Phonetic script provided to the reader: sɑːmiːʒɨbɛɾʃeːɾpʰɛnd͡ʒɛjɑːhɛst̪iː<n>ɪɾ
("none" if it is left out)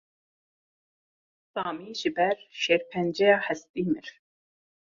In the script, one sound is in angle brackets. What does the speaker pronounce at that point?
m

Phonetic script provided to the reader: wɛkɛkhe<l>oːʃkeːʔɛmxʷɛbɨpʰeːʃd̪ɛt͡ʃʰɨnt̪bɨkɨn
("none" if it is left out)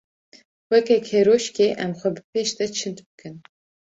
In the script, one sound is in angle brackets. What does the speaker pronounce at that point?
ɾ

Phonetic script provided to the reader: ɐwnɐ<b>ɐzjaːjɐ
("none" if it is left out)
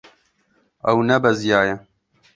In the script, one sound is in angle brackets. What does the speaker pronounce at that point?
b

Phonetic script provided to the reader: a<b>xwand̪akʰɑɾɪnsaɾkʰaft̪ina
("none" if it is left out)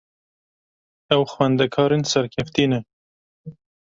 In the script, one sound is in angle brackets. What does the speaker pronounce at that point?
w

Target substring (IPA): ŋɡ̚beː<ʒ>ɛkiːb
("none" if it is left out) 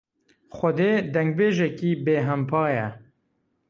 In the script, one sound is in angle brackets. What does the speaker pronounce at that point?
ʒ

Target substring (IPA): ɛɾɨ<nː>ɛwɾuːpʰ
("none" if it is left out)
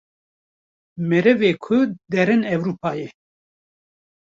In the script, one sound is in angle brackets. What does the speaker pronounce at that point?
n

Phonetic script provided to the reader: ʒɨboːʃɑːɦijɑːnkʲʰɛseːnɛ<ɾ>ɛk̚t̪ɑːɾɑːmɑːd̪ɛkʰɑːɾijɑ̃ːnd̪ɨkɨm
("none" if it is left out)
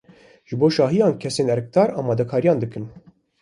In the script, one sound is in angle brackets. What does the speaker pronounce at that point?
ɾ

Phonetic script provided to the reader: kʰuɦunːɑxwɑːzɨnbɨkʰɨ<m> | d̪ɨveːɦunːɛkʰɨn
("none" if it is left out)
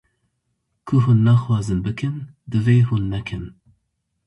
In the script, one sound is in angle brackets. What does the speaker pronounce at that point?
n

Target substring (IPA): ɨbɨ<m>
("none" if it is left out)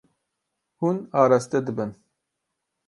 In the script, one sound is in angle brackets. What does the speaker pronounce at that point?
n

